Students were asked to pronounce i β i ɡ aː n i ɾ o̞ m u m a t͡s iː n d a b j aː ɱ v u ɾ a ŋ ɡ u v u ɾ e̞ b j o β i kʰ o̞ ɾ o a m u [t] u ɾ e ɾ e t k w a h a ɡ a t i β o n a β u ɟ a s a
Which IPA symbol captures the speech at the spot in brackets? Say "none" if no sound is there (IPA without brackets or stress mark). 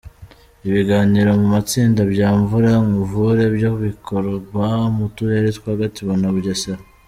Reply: t